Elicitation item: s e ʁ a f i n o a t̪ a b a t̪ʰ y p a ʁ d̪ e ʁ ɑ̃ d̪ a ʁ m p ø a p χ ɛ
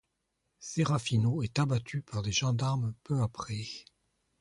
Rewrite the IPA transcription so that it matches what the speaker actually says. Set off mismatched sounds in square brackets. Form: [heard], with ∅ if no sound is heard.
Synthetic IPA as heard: s e ʁ a f i n o [ɛ] t̪ a b a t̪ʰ y p a ʁ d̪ e [ʒ] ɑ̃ d̪ a ʁ m p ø a p χ ɛ

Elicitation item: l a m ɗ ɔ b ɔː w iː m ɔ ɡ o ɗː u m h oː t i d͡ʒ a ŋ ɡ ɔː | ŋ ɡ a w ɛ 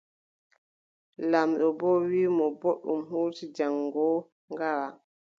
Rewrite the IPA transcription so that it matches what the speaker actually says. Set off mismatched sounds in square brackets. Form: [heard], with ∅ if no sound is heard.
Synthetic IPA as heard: l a m ɗ ɔ b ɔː w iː m ɔ [b] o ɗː u m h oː t i d͡ʒ a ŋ ɡ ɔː | ŋ ɡ a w [a]

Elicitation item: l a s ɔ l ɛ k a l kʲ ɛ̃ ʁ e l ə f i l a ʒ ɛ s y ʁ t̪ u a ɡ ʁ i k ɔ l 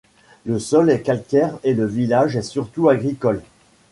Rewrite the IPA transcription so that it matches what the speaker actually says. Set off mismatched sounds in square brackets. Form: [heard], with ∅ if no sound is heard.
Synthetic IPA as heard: l [ə] s ɔ l ɛ k a l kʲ [ɛ] ʁ e l ə [v] i l a ʒ ɛ s y ʁ t̪ u a ɡ ʁ i k ɔ l

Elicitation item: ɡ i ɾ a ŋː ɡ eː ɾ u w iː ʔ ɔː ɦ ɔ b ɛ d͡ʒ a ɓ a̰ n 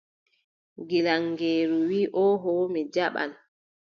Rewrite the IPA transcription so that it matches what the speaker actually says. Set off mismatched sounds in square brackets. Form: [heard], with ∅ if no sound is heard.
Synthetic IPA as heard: ɡ i [l] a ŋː ɡ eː ɾ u w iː ʔ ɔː ɦ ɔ [m] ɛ d͡ʒ a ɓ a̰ n

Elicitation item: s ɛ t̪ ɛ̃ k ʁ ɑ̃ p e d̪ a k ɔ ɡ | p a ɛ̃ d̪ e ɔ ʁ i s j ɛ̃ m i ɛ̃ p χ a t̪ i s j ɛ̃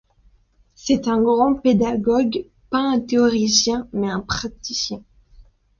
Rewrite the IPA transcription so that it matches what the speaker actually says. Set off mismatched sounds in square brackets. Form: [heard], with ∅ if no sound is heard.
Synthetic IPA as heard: s ɛ t̪ ɛ̃ [ɡ] ʁ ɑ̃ p e d̪ a [ɡ] ɔ ɡ | p a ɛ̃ [t̪] e ɔ ʁ i s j ɛ̃ m [ɛ] ɛ̃ p χ a t̪ i s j ɛ̃

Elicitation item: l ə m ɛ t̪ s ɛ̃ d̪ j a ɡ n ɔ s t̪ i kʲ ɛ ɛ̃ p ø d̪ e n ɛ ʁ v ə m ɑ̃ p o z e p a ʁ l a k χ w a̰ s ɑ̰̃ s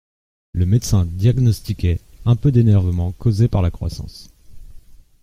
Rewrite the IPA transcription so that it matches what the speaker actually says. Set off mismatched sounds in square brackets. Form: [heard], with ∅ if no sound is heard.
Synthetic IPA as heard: l ə m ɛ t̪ s ɛ̃ d̪ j a ɡ n ɔ s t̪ i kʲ ɛ ɛ̃ p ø d̪ e n ɛ ʁ v ə m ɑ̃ [k] o z e p a ʁ l a k χ w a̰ s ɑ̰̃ s

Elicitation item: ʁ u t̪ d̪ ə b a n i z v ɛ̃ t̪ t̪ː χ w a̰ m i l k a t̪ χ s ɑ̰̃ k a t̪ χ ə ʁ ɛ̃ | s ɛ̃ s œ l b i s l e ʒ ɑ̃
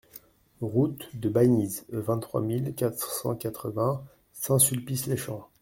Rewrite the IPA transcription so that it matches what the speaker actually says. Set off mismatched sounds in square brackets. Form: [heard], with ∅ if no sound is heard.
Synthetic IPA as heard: ʁ u t̪ d̪ ə b a n i z v ɛ̃ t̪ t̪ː χ w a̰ m i l k a t̪ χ s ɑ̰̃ k a t̪ χ ə [v] ɛ̃ | s ɛ̃ s [y] l [p] i s l e [ʃ] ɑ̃

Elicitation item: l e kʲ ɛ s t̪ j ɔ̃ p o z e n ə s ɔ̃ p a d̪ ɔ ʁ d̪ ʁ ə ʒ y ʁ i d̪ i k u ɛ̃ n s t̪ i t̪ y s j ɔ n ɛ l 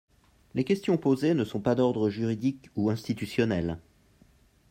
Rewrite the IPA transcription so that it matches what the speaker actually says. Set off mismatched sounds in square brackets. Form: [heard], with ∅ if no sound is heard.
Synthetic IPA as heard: l e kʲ ɛ s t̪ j ɔ̃ p o z e n ə s ɔ̃ p a d̪ ɔ ʁ d̪ ʁ ə ʒ y ʁ i d̪ i k u ɛ̃ [∅] s t̪ i t̪ y s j ɔ n ɛ l

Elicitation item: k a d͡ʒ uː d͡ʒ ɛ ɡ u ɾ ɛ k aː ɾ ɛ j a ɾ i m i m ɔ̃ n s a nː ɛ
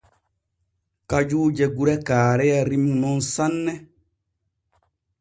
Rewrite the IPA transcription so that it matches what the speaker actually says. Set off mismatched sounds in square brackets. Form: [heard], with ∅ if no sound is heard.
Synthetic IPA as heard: k a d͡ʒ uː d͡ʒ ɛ ɡ u ɾ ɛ k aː ɾ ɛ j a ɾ i m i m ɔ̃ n s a nː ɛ

